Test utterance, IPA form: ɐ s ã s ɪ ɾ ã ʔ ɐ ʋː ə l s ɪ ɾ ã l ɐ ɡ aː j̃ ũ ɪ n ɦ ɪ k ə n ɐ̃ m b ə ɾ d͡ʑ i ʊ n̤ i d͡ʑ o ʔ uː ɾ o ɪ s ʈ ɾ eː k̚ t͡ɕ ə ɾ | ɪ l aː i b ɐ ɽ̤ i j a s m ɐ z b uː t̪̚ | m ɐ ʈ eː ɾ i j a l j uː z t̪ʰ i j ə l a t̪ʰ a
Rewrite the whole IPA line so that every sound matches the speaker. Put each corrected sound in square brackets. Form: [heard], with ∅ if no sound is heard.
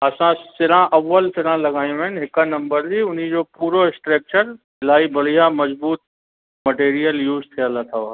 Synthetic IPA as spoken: ɐ s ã s ɪ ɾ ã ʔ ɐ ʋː ə l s ɪ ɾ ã l ɐ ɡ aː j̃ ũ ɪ n ɦ ɪ k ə n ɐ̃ m b ə ɾ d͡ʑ i ʊ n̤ i d͡ʑ o [p] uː ɾ o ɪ s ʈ ɾ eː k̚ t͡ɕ ə ɾ | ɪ l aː i b ɐ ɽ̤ i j a [∅] m ɐ z b uː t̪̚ | m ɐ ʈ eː ɾ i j [ə] l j uː z t̪ʰ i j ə l a t̪ʰ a